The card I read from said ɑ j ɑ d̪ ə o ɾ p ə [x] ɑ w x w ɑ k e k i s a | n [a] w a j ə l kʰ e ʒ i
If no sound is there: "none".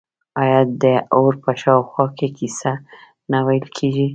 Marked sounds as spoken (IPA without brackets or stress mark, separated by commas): ʃ, a